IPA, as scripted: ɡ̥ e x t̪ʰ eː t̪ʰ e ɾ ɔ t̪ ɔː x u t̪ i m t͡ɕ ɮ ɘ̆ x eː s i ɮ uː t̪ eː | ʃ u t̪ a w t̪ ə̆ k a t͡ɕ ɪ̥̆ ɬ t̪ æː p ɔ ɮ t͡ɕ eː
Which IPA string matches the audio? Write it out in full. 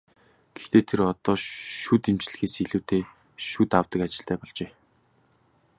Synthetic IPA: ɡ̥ e x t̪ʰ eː t̪ʰ e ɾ ɔ t̪ ɔː ʃ u t̪ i m t͡ɕ ɮ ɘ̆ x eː s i ɮ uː t̪ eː | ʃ u t̪ a w t̪ ə̆ k a t͡ɕ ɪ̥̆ ɬ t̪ æː p ɔ ɮ t͡ɕ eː